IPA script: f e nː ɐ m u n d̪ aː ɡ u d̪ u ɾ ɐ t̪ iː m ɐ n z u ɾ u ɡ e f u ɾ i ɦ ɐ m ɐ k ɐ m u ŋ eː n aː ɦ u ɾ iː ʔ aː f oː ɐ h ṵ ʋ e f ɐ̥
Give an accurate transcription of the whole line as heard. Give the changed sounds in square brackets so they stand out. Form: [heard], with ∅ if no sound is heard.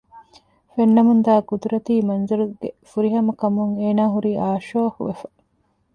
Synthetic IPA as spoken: f e nː ɐ m u n d̪ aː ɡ u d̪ u ɾ ɐ t̪ iː m ɐ n z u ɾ u ɡ e f u ɾ i ɦ ɐ m ɐ k ɐ m u ŋ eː n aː ɦ u ɾ iː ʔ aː [ʃ] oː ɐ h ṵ ʋ e f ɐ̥

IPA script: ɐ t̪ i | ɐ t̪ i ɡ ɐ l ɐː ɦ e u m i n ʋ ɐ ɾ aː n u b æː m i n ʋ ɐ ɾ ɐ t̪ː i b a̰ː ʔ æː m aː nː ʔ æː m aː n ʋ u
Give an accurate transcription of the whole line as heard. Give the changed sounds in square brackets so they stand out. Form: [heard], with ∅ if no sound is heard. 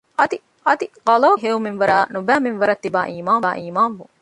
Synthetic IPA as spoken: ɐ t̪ i | ɐ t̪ i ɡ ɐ l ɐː ɦ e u m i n ʋ ɐ ɾ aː n u b æː m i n ʋ ɐ ɾ ɐ t̪ː i b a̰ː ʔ [iː] m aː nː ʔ [iː] m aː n ʋ u

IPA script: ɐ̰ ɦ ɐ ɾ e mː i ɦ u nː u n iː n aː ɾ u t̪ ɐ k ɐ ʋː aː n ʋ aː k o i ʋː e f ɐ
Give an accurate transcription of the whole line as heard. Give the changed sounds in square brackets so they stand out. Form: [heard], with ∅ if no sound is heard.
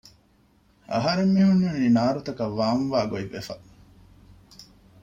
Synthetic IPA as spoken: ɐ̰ ɦ ɐ ɾ e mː i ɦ u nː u n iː n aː ɾ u t̪ ɐ k ɐ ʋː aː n ʋ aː [ɡ] o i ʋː e f ɐ

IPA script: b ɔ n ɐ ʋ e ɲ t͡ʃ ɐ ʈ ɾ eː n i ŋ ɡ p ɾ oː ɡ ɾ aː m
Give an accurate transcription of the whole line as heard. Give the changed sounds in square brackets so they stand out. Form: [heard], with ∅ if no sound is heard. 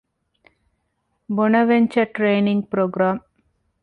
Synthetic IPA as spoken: b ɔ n ɐ ʋ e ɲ t͡ʃ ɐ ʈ ɾ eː n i ŋ ɡ p ɾ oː ɡ ɾ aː m

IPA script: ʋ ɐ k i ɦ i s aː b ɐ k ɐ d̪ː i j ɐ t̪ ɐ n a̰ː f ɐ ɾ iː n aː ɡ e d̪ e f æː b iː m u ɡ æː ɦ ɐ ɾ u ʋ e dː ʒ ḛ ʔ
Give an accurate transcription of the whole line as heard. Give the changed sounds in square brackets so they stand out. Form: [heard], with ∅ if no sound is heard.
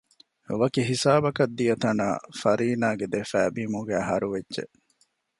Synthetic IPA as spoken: ʋ ɐ k i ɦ i s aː b ɐ k ɐ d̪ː i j ɐ t̪ ɐ n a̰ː f ɐ ɾ iː n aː ɡ e d̪ e f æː b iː m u ɡ æː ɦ ɐ ɾ u ʋ e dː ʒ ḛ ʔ

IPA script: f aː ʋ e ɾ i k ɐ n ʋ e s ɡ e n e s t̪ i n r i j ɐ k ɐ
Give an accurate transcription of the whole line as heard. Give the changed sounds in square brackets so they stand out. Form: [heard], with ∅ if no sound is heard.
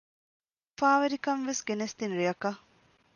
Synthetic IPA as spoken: f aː ʋ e ɾ i k ɐ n ʋ e s ɡ e n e s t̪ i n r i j ɐ k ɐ

